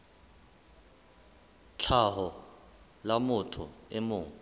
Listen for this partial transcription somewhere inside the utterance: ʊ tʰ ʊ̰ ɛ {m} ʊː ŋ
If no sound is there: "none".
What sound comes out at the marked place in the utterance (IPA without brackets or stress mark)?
m